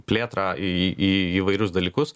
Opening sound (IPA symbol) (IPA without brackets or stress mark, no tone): pʲ